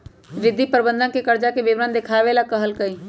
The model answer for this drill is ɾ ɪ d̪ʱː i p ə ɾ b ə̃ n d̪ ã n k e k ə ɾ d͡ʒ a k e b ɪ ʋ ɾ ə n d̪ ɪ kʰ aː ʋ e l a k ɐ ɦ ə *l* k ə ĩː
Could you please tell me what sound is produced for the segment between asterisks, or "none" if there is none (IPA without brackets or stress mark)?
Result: l